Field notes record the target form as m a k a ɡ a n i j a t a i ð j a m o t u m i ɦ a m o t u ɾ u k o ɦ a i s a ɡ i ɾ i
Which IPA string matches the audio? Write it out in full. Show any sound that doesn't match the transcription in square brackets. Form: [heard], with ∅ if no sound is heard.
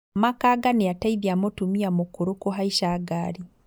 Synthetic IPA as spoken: m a k a ɡ a n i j a t a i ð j a m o t u m i [∅] a m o [k] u ɾ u k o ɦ a i [ʃ] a ɡ [a] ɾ i